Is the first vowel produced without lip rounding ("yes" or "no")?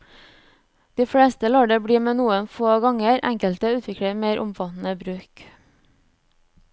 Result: yes